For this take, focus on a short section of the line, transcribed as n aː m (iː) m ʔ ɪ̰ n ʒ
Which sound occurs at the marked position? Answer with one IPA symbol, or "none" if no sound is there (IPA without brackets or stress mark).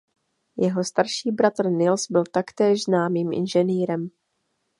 iː